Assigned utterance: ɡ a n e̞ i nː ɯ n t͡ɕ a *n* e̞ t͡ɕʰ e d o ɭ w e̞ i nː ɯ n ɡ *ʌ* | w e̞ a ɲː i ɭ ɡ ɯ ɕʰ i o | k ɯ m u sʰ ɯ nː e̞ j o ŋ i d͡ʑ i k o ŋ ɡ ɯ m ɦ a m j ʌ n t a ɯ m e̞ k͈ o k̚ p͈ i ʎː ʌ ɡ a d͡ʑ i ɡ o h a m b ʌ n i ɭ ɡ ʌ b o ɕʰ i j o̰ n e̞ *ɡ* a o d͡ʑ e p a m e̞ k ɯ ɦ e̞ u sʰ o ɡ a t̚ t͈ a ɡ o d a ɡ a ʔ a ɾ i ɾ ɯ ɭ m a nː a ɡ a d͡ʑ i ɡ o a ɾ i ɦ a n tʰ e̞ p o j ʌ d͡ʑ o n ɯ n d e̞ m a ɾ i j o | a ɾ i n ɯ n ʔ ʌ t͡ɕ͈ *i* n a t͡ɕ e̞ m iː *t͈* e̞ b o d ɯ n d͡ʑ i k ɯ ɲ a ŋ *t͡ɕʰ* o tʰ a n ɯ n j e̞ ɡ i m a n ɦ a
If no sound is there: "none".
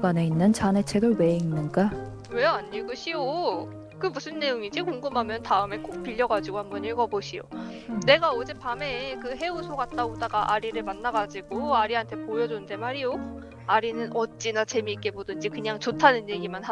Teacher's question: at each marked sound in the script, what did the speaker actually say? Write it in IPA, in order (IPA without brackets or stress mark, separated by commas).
n, a, ɡ, i, k͈, t͡ɕ